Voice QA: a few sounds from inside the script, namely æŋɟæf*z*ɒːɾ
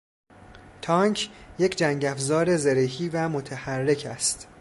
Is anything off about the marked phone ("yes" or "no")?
no